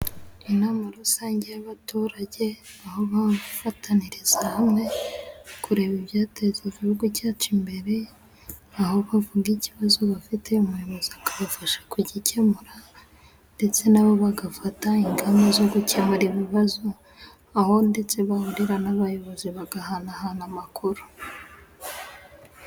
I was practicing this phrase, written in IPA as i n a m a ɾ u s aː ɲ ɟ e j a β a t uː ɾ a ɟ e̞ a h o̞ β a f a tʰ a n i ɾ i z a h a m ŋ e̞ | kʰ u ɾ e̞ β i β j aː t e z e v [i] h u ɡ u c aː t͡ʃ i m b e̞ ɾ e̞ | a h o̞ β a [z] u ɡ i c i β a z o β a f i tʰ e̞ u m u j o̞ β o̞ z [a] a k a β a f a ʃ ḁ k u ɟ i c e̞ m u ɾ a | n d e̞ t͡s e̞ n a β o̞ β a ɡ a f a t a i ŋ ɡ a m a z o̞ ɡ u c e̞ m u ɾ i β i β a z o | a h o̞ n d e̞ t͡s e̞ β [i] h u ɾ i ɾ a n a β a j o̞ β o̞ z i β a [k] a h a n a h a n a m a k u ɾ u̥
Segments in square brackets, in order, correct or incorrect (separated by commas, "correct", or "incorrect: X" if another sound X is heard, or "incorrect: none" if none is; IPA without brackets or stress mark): correct, incorrect: v, incorrect: i, incorrect: a, incorrect: ɡ